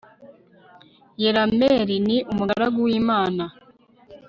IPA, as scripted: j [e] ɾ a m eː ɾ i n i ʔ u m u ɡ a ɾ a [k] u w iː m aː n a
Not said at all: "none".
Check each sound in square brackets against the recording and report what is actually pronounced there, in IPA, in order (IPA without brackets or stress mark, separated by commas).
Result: e, ɡ